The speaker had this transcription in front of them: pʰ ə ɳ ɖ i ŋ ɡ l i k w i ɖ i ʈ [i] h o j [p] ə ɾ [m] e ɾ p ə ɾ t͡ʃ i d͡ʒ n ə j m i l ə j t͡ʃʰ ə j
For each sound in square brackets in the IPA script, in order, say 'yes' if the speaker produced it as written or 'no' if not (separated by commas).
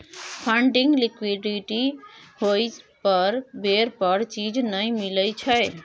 yes, yes, no